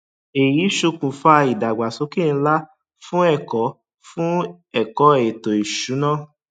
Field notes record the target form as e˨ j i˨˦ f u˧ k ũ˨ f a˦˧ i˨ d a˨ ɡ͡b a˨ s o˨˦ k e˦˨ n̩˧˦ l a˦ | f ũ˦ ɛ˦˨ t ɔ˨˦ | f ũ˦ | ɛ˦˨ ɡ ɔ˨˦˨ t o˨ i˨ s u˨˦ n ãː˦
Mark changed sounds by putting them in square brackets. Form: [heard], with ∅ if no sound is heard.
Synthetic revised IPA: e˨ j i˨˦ [ʃ] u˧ k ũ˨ f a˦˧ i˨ d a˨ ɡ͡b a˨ s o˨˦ k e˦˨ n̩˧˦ l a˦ | f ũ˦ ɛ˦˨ [k] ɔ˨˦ | f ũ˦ | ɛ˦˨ [k] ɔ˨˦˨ t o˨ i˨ [ʃ] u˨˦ n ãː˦